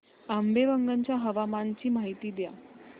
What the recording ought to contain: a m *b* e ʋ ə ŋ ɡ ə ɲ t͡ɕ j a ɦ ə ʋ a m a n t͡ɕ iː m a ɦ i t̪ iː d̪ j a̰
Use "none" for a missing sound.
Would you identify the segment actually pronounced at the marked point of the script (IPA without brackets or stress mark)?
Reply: b